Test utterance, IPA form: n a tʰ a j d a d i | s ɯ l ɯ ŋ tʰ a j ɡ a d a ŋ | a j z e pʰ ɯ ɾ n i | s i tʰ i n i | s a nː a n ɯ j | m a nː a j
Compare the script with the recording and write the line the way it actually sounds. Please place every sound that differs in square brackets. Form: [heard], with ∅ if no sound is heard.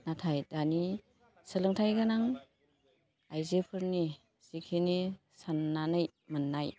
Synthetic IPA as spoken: n a tʰ a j d a [n] i | s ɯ l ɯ ŋ tʰ a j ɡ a [n] a ŋ | a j z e pʰ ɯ ɾ n i | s i [kʰ] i n i | s a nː a n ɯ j | m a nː a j